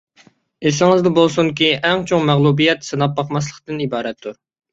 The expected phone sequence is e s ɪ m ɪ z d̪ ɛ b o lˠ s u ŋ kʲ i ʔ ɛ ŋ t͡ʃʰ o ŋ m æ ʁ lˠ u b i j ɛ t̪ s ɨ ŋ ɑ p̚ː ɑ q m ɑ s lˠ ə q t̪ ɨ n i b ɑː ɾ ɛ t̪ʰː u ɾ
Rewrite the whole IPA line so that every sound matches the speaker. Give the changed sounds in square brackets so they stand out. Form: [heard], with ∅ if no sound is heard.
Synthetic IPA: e s ɪ [ŋ] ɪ z d̪ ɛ b o lˠ s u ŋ kʲ i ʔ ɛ ŋ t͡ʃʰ o ŋ m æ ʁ lˠ u b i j ɛ t̪ s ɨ [n] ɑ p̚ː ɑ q m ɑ s lˠ ə q t̪ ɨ n i b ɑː ɾ ɛ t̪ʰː u ɾ